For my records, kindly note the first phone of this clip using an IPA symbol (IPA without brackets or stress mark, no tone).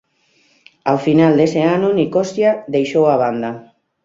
a